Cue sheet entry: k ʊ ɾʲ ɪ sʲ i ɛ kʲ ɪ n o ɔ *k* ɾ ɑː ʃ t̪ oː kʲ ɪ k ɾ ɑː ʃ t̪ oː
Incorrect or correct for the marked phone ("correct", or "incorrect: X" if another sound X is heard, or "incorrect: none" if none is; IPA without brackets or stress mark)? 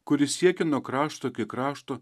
correct